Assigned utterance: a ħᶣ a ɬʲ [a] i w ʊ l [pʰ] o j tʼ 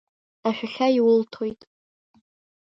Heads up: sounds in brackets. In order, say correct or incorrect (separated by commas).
correct, incorrect